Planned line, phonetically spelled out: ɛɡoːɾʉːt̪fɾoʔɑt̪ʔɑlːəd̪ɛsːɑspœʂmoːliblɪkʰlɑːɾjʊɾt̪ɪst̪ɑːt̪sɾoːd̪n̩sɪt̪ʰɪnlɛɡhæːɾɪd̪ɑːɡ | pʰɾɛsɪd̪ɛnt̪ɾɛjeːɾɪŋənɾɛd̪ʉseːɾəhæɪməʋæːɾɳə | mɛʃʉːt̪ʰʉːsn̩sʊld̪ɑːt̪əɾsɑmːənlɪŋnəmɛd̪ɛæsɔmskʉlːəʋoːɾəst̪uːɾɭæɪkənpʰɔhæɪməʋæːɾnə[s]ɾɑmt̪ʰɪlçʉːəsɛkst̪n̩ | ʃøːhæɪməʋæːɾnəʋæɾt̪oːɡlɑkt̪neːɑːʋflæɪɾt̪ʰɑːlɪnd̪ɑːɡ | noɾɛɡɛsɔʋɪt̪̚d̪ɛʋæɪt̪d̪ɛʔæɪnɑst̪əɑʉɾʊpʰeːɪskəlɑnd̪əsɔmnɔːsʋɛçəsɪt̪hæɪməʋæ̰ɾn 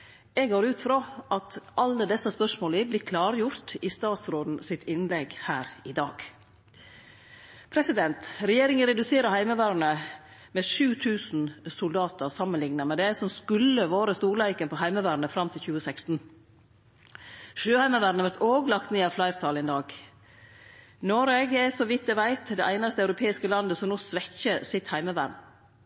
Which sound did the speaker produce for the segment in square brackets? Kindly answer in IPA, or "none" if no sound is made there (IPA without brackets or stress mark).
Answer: f